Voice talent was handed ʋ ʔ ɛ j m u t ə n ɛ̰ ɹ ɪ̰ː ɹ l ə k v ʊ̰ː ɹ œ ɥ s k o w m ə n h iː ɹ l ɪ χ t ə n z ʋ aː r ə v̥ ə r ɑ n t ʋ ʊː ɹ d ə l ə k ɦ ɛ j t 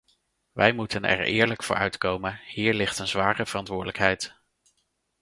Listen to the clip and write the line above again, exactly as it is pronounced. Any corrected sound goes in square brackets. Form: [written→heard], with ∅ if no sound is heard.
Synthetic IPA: ʋ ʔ ɛ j m u t ə n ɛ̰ ɹ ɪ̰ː ɹ l ə k [v→f] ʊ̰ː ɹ œ ɥ [s→t] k o w m ə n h iː ɹ l ɪ χ t ə n z ʋ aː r ə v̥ ə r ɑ n t ʋ ʊː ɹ d ə l ə k ɦ ɛ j t